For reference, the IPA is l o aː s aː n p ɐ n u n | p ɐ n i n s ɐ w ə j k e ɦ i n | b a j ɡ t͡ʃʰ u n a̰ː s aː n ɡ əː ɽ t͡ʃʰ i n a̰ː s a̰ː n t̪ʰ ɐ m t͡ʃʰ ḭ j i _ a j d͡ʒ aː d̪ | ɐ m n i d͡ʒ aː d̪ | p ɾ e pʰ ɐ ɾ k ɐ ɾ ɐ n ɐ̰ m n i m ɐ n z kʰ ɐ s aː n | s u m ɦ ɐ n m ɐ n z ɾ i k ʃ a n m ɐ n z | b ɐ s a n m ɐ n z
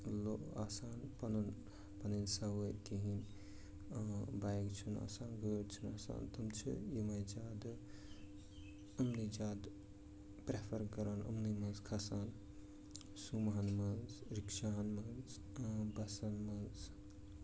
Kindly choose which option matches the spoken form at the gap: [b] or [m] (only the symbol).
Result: m